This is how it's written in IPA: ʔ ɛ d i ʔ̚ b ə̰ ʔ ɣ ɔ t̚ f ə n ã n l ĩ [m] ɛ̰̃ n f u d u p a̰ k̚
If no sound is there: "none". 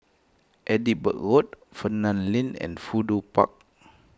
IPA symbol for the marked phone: n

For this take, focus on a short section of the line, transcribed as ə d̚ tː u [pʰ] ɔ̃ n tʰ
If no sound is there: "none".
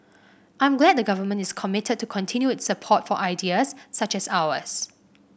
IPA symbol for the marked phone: kʰ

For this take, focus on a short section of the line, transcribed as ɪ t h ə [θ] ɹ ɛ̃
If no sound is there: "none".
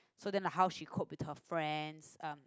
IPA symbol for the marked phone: f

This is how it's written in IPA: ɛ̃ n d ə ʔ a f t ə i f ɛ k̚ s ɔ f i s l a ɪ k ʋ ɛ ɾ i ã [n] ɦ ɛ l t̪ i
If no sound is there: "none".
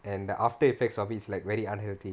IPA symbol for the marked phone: n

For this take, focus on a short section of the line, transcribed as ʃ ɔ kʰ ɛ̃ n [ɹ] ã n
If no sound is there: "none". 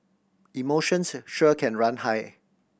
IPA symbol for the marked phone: ɹ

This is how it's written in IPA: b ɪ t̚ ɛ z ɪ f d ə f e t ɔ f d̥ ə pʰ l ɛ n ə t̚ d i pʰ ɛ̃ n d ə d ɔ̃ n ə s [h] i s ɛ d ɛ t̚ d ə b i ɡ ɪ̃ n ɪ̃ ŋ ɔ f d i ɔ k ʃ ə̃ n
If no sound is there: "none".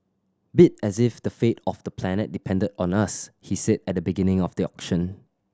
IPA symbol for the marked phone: h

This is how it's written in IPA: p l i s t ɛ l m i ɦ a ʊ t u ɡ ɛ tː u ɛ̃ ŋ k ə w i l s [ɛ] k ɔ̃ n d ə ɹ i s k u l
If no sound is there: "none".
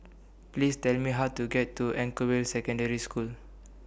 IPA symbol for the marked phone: ɛ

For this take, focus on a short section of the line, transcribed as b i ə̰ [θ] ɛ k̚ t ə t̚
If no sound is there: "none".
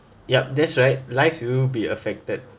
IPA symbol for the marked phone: f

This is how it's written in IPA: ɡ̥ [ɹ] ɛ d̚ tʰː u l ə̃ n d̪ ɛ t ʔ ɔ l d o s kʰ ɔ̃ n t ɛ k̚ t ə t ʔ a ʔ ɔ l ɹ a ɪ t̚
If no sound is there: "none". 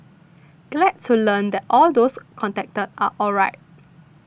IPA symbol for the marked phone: l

